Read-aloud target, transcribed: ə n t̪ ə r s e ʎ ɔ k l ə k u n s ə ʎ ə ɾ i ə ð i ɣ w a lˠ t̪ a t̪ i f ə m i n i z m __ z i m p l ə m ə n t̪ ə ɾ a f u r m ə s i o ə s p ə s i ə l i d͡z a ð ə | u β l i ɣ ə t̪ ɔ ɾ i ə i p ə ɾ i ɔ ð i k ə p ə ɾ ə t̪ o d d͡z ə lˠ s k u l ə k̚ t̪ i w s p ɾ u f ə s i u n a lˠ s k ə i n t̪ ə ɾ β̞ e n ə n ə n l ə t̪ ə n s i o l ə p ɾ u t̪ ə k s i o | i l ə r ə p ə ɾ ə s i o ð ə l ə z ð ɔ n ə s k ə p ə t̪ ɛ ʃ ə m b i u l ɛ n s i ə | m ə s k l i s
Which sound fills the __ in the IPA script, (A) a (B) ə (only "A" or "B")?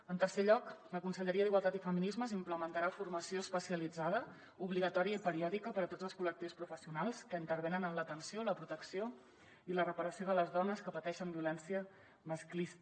B